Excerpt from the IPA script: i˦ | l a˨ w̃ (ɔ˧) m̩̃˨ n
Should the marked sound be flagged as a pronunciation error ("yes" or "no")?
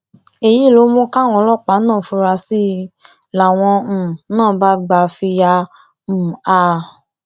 yes